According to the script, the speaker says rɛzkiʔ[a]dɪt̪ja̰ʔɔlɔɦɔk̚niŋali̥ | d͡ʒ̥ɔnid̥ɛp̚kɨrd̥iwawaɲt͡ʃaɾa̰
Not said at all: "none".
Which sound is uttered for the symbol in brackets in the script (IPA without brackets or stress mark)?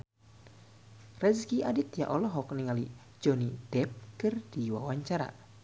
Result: a